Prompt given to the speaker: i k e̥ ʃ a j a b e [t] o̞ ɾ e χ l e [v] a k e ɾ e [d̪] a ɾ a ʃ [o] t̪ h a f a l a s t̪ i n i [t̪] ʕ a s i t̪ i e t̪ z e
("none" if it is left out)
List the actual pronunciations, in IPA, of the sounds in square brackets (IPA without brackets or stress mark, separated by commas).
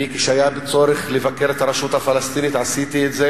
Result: t͡s, v, t̪, u, t̪